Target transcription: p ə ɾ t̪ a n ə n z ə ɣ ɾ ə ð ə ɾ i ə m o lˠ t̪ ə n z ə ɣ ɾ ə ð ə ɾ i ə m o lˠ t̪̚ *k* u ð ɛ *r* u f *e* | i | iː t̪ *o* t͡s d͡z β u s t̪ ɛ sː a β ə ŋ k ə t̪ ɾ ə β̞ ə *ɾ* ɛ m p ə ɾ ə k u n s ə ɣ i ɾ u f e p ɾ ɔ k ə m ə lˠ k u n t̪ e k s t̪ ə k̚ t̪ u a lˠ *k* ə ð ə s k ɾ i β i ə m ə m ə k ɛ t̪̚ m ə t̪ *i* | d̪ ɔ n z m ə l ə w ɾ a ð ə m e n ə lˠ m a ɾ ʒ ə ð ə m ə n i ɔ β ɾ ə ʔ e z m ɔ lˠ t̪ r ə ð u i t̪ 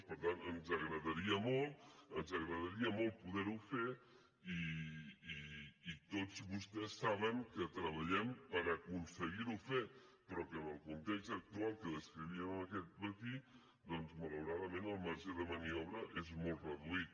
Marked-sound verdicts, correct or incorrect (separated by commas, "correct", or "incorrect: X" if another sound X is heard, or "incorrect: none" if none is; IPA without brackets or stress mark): incorrect: p, incorrect: ɾ, correct, correct, incorrect: ʎ, correct, correct